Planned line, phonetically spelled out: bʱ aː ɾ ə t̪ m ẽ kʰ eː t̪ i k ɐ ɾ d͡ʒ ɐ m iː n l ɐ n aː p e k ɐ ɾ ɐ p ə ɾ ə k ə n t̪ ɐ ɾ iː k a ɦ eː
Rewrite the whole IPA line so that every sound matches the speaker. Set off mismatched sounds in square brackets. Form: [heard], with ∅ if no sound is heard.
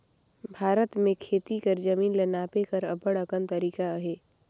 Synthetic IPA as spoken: bʱ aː ɾ ə t̪ m ẽ kʰ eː t̪ i k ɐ ɾ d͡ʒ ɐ m iː n l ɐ n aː p e k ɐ ɾ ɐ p ə [ɽ] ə k ə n t̪ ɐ ɾ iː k a ɦ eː